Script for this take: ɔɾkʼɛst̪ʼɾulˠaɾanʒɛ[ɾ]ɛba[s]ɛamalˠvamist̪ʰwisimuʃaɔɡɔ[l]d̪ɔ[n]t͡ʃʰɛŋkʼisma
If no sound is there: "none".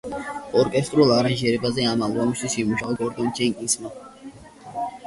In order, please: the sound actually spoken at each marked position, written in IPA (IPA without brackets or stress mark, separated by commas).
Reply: ɾ, z, ɾ, n